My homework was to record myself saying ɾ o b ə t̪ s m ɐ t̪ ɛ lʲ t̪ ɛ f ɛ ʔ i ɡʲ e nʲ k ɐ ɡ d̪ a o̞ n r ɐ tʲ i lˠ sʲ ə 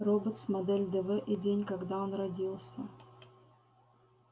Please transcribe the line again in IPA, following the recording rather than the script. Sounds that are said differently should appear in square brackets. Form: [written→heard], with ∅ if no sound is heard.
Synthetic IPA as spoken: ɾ o b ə t̪ s m ɐ [t̪→d̪] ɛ lʲ [t̪→d̪] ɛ [f→v] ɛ ʔ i [ɡʲ→dʲ] e nʲ k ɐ ɡ d̪ a o̞ n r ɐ [tʲ→dʲ] i lˠ sʲ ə